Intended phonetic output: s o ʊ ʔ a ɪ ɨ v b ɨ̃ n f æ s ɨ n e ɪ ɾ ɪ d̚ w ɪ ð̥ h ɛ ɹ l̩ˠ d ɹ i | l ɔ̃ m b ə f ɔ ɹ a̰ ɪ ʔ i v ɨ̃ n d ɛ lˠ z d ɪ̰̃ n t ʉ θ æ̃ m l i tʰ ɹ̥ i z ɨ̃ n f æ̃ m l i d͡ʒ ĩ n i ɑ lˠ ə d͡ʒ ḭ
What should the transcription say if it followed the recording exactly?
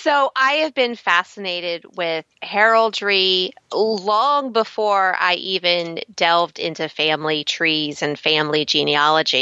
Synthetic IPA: s o ʊ ʔ a ɪ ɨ v b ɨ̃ n f æ s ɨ n e ɪ ɾ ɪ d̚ w ɪ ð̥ h ɛ ɹ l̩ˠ d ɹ i | l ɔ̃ ŋ b ə f ɔ ɹ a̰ ɪ ʔ i v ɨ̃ n d ɛ lˠ v d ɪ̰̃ n t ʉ f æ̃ m l i tʰ ɹ̥ i z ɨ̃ n f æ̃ m l i d͡ʒ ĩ n i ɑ lˠ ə d͡ʒ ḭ